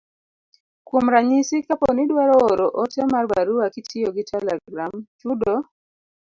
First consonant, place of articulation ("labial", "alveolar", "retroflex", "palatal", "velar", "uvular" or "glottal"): velar